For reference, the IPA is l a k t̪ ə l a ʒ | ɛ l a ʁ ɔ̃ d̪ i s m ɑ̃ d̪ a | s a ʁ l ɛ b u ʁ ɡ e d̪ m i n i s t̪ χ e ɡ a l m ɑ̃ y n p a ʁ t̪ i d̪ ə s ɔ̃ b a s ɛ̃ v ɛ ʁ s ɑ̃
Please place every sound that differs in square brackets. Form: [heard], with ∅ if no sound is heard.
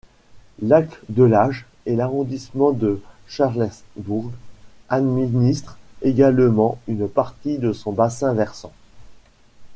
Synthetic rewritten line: l a k [d̪] ə l a ʒ | ɛ l a ʁ ɔ̃ d̪ i s m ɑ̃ d̪ [ə] | [ʃ] a ʁ l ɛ b u ʁ ɡ [a] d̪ m i n i s t̪ χ e ɡ a l m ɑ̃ y n p a ʁ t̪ i d̪ ə s ɔ̃ b a s ɛ̃ v ɛ ʁ s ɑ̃